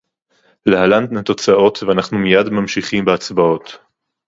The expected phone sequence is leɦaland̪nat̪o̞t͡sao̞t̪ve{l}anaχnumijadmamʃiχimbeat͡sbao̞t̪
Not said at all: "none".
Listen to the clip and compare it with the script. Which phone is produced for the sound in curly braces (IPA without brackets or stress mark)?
none